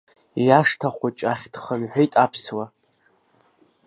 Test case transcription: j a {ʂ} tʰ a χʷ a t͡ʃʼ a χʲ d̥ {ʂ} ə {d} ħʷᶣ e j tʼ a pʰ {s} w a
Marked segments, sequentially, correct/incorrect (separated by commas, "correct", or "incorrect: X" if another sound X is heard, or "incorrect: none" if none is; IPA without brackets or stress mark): correct, incorrect: χ, incorrect: n, correct